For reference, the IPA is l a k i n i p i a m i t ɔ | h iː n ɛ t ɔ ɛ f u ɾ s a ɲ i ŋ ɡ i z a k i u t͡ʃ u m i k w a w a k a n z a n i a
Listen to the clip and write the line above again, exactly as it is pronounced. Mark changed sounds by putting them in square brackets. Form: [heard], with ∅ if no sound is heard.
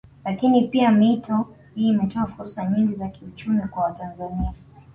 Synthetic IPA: l a k i n i p i a m i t ɔ | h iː [m] ɛ t ɔ [a] f u ɾ s a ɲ i ŋ ɡ i z a k i u t͡ʃ u m i k w a w a [t] a n z a n i a